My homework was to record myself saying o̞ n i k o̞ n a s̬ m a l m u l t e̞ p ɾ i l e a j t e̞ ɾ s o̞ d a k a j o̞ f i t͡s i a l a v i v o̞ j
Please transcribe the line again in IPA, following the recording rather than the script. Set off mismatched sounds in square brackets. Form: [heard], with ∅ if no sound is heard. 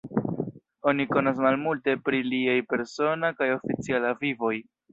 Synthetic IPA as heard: o̞ n i k o̞ n a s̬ m a l m u l t e̞ p ɾ i l [i] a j [p] e̞ ɾ s o̞ [n] a k a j o̞ f i t͡s i a l a v i v o̞ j